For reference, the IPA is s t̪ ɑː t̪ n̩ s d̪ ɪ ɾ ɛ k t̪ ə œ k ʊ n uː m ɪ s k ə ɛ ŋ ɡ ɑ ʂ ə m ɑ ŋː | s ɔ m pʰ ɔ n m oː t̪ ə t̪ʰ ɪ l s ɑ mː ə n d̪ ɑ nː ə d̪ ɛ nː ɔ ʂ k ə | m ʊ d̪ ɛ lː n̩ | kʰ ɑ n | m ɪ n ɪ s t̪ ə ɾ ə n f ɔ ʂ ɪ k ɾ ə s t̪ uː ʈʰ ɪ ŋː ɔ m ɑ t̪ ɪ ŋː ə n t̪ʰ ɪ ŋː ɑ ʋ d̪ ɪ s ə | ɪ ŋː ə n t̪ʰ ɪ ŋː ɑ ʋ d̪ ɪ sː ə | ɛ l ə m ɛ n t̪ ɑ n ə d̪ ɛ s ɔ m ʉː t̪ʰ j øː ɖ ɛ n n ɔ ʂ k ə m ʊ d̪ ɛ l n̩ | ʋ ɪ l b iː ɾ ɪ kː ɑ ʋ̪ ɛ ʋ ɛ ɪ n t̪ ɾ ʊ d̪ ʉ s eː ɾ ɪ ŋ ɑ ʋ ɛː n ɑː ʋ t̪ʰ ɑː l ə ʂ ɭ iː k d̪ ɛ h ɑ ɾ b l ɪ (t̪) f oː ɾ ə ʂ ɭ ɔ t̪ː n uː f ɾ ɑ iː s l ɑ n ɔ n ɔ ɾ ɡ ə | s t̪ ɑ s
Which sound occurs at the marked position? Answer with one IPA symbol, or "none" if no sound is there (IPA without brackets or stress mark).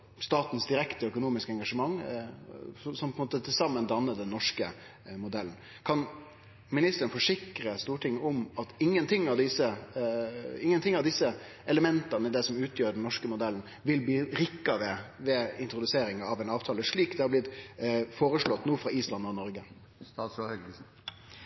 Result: t̪